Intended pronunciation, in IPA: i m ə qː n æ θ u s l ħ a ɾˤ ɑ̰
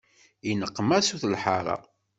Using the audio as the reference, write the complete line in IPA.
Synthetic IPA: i n ə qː m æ s u θ l ħ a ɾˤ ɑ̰